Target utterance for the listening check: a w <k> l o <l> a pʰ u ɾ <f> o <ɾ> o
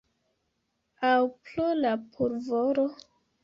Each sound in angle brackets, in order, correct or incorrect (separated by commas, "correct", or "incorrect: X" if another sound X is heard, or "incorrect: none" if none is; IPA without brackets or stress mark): incorrect: p, correct, incorrect: v, correct